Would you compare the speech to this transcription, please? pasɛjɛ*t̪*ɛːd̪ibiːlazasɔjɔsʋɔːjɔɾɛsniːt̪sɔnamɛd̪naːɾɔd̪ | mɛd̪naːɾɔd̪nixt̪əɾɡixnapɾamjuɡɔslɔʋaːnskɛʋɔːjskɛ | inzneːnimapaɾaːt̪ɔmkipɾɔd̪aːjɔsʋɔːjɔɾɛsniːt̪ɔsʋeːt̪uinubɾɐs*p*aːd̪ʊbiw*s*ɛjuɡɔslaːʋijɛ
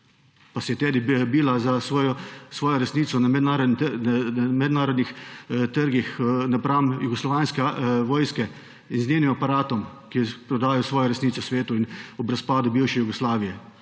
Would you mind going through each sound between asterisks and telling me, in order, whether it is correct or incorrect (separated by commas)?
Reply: correct, correct, incorrect